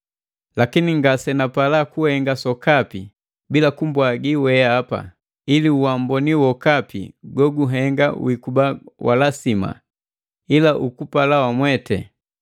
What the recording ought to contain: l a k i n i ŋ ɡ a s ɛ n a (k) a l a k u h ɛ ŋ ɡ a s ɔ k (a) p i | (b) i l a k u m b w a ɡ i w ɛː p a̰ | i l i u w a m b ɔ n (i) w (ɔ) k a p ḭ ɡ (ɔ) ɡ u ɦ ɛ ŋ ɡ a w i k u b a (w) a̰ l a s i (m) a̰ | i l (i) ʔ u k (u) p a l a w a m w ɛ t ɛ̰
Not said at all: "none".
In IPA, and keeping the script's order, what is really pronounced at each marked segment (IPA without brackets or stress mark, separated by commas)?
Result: p, a, b, i, ɔ, ɔ, w, m, a, u